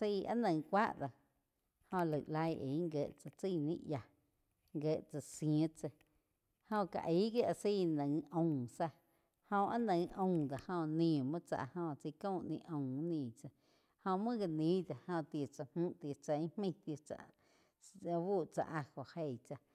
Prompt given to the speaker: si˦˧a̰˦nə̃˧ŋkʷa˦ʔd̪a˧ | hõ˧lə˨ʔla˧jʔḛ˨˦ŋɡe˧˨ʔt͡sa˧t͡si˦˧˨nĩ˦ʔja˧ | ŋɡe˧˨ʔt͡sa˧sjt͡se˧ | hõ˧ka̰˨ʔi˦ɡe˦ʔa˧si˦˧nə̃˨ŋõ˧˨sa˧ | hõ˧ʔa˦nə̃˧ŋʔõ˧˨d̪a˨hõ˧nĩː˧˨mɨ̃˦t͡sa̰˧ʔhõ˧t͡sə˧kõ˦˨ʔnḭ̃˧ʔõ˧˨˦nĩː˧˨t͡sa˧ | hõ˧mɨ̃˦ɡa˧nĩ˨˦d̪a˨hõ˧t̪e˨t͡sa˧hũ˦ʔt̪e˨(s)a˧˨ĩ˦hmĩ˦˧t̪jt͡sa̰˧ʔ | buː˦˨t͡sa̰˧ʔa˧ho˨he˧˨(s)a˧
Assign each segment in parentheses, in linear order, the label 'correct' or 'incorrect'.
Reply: incorrect, incorrect

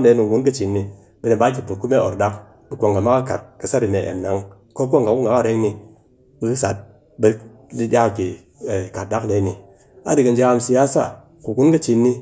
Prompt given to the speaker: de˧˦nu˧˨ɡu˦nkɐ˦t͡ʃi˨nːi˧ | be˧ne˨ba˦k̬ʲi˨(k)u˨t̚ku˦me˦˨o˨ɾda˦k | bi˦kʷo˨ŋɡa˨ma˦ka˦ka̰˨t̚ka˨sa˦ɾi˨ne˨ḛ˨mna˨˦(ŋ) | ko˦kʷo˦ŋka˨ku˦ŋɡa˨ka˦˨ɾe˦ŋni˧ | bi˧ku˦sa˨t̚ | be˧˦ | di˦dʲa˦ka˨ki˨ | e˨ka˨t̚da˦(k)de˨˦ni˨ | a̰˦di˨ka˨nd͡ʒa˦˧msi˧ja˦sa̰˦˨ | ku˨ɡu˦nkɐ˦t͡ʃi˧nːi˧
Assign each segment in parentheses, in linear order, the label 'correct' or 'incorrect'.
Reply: incorrect, correct, correct

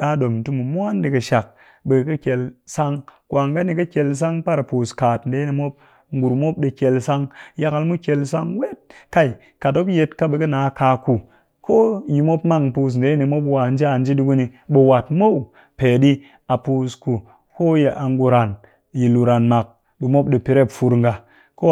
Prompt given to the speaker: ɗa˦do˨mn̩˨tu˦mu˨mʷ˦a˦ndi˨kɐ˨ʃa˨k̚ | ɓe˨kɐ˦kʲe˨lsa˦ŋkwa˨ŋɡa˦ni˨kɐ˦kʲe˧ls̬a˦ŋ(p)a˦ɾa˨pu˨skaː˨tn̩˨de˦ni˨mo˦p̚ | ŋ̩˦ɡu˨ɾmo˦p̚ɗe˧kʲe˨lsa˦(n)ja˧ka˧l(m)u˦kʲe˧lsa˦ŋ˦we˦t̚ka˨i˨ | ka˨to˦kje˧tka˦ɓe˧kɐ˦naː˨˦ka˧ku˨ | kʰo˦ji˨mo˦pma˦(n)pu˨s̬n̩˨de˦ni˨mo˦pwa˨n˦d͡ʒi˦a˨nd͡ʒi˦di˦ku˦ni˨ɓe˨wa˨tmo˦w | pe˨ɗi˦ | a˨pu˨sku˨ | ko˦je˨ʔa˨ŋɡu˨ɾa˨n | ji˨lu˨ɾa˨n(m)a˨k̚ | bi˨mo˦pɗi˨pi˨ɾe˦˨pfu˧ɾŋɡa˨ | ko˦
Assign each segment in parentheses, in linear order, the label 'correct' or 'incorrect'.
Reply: correct, incorrect, correct, incorrect, correct

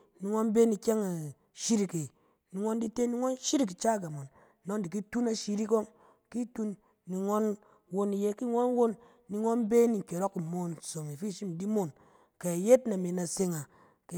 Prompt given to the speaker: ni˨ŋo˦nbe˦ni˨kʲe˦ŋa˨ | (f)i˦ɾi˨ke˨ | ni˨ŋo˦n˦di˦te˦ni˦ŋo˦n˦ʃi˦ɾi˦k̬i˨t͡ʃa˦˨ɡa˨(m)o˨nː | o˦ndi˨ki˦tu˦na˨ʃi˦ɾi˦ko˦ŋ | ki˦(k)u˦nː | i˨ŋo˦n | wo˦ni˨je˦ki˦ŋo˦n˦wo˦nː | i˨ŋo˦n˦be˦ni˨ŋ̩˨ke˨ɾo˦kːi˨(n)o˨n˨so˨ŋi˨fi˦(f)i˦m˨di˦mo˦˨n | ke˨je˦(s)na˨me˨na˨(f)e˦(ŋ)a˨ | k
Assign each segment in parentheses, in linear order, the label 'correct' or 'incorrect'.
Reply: incorrect, correct, incorrect, incorrect, incorrect, incorrect, incorrect, correct

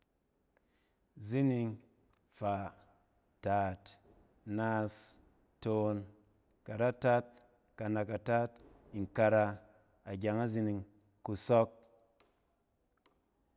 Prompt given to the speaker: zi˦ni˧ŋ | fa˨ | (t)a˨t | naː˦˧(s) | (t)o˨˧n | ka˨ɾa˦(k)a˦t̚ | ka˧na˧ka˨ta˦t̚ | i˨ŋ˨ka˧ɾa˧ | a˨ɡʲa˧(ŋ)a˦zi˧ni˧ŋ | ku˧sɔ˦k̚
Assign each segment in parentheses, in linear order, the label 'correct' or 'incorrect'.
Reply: correct, correct, correct, incorrect, correct

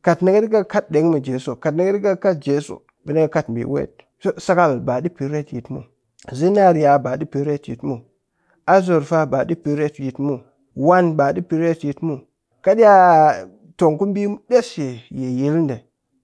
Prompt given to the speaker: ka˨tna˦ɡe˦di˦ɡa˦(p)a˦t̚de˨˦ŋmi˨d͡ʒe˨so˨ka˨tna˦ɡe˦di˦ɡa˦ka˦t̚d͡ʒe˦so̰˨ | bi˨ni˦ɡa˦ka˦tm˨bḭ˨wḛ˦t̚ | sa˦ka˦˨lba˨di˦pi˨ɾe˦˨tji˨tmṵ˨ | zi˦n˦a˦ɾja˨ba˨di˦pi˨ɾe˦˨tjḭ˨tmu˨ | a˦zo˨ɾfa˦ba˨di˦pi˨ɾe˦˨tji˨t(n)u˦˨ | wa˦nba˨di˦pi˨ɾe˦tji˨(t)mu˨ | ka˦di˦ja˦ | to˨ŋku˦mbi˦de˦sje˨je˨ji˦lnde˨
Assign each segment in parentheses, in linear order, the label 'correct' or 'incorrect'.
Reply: incorrect, incorrect, correct

